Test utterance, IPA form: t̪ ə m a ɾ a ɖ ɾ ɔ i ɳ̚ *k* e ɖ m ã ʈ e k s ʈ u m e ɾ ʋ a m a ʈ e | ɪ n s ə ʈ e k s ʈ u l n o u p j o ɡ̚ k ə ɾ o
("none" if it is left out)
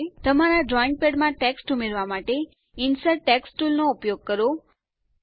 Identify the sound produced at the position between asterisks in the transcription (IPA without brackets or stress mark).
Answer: p